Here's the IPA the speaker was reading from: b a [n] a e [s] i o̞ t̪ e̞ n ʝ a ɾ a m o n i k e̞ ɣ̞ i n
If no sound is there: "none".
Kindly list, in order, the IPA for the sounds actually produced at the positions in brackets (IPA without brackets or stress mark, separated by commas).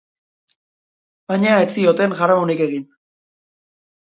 ɲ, t͡s